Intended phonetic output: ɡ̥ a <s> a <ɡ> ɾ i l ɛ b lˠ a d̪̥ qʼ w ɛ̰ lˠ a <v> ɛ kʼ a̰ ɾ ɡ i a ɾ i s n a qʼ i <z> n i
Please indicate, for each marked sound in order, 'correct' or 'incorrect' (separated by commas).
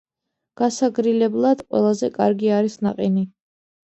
correct, correct, incorrect, incorrect